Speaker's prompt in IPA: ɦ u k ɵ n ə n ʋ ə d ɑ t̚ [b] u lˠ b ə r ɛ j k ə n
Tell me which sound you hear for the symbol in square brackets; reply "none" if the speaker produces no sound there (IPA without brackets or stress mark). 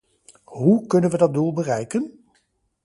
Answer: d